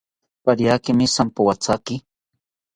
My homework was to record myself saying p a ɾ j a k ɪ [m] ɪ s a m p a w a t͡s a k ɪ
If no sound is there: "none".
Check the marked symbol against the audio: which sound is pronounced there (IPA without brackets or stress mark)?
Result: m